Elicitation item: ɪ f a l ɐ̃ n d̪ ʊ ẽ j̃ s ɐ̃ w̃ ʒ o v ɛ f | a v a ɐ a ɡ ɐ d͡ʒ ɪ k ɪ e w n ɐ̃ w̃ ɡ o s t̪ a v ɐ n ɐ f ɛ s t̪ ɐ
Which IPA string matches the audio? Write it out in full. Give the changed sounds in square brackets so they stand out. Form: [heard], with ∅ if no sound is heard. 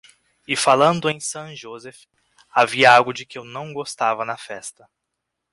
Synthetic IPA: ɪ f a l ɐ̃ n d̪ ʊ ẽ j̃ s ɐ̃ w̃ ʒ o [z] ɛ f | a v [i] ɐ a ɡ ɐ d͡ʒ ɪ k ɪ e w n ɐ̃ w̃ ɡ o s t̪ a v ɐ n ɐ f ɛ s t̪ ɐ